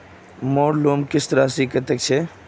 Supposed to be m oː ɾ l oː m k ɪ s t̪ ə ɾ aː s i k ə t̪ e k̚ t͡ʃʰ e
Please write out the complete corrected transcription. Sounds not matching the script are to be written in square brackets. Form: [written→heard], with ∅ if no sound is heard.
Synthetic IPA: m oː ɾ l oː m k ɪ s t̪ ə ɾ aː s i k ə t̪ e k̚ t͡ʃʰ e